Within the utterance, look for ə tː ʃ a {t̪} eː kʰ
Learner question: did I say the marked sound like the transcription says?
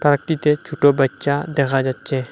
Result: no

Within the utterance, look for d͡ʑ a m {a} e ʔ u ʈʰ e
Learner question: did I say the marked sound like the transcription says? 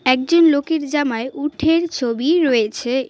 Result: yes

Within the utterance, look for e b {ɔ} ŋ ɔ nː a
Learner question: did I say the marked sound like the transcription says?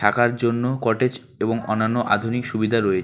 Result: no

